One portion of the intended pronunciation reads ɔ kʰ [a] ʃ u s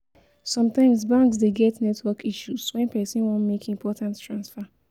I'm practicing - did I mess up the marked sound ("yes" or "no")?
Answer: yes